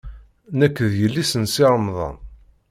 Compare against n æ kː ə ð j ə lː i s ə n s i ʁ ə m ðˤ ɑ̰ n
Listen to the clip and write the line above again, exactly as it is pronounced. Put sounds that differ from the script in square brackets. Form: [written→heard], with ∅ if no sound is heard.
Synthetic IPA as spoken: n æ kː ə ð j ə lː i s ə n s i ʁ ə m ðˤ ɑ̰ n